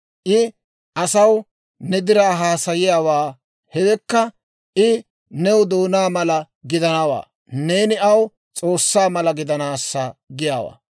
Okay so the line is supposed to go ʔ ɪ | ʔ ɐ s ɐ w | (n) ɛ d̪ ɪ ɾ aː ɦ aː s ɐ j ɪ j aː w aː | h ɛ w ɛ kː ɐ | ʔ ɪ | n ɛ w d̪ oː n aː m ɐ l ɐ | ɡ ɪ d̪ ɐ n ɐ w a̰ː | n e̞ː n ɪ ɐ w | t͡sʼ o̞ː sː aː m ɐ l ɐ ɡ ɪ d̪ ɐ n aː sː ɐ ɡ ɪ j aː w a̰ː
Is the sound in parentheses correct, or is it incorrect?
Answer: correct